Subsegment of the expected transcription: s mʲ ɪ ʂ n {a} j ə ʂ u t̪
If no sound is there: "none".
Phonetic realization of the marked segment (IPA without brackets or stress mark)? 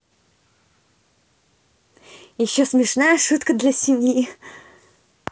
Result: a